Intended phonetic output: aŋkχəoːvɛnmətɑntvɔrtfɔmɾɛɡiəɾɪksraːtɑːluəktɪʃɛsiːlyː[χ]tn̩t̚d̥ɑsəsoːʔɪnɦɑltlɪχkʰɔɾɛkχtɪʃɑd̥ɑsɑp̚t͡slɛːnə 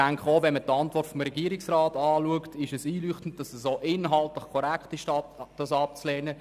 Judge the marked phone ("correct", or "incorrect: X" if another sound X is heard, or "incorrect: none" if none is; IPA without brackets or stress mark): correct